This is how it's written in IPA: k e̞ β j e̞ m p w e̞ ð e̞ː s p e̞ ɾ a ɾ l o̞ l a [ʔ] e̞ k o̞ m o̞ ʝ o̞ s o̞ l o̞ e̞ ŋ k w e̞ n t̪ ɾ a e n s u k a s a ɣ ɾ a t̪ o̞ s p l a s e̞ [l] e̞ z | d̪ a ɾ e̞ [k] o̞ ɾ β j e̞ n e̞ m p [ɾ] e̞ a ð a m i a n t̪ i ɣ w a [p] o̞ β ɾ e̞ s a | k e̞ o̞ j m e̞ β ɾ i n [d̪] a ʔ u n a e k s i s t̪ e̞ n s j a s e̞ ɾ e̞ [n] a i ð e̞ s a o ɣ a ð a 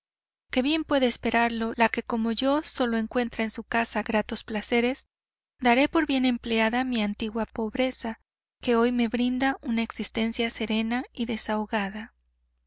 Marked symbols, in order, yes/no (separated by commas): no, no, no, no, yes, yes, yes